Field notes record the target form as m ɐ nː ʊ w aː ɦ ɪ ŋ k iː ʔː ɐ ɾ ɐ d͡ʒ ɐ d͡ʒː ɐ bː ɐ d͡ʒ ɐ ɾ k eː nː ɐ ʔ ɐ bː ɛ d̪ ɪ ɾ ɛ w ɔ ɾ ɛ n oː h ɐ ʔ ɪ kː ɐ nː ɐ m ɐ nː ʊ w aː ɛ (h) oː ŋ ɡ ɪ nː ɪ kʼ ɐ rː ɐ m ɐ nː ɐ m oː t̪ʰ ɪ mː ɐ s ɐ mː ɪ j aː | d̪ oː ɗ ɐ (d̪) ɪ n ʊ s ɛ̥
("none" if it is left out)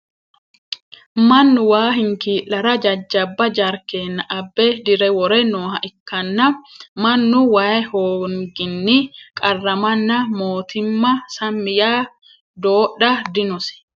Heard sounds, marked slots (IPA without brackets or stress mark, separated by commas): h, d̪